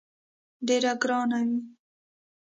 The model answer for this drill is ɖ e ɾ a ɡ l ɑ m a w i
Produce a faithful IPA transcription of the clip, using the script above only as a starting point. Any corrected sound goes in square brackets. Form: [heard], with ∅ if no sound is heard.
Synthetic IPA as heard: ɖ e ɾ a ɡ [ɾ] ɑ [n] a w i